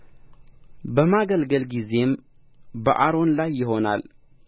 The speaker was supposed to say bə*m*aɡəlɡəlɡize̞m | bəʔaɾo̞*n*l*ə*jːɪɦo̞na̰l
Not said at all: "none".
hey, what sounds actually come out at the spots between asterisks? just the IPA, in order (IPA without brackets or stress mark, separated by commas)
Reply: m, n, a